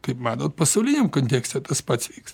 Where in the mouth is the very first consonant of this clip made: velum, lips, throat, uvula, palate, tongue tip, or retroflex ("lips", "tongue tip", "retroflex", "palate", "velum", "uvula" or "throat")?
velum